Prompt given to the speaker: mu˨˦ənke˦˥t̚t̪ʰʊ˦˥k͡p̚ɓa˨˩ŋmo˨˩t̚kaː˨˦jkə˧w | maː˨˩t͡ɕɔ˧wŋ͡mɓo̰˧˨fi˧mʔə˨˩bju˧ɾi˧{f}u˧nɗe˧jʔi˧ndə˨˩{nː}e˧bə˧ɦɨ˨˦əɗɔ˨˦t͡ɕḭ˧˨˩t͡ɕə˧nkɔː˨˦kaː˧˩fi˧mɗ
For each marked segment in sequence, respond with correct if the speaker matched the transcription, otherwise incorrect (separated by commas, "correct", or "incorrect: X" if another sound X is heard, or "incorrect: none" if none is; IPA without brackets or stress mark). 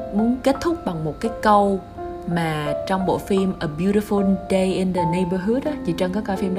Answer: correct, incorrect: n